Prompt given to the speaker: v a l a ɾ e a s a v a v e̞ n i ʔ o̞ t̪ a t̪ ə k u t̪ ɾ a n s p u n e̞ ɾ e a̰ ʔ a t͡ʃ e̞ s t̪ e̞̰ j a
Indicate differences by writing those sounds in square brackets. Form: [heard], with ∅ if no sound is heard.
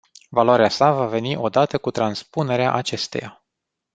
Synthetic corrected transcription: v a l a ɾ e a s a v a v e̞ n i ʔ o̞ [d̪] a t̪ ə k u t̪ ɾ a n s p u n e̞ ɾ e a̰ ʔ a t͡ʃ e̞ s t̪ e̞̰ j a